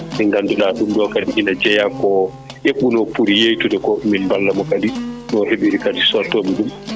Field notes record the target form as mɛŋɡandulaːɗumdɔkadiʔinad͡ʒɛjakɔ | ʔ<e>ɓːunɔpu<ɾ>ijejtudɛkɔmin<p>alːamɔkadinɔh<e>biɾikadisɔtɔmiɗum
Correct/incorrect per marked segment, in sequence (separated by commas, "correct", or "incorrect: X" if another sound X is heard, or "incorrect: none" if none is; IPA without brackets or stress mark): correct, correct, incorrect: b, correct